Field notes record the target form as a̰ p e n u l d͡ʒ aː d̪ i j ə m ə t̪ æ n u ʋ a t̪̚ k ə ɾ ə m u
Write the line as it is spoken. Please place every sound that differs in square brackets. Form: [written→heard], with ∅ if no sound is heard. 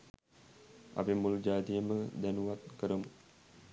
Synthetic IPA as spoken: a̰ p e [n→m] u l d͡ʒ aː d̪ i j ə m ə [t̪→d̪] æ n u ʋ a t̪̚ k ə ɾ ə m u